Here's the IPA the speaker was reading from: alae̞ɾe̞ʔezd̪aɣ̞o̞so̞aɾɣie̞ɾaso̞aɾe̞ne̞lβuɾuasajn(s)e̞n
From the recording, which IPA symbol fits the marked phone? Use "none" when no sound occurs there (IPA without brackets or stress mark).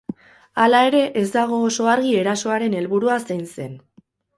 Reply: s